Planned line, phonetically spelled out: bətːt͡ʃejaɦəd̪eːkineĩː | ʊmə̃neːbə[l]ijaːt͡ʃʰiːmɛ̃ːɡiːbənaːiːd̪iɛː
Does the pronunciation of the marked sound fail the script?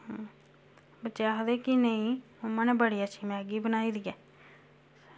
yes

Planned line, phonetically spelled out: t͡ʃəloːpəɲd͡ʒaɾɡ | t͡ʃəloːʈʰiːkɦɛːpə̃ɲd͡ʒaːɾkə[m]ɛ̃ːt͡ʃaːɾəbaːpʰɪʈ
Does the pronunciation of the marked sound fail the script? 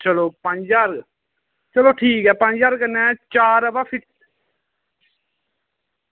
yes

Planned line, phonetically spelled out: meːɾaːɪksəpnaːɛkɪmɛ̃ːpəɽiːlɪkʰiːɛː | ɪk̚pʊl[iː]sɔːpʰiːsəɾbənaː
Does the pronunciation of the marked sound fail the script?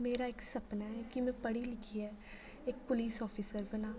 no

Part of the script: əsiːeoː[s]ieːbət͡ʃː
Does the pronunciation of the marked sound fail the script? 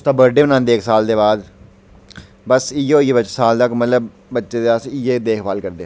yes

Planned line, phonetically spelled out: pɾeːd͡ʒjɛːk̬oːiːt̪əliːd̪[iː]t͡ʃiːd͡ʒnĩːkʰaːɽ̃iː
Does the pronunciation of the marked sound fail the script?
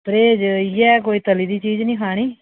no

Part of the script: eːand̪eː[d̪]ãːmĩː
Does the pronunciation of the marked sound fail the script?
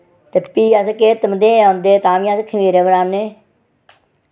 yes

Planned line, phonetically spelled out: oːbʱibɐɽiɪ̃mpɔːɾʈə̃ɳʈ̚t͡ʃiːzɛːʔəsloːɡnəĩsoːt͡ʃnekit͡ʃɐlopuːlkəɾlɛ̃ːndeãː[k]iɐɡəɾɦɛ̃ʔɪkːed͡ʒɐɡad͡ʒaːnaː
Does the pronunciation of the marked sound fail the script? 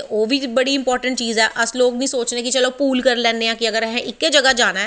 no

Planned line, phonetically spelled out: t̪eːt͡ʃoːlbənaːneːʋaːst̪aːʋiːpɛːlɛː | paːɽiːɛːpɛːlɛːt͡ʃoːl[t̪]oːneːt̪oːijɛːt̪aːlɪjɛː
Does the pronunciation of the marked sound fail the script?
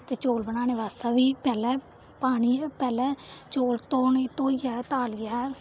no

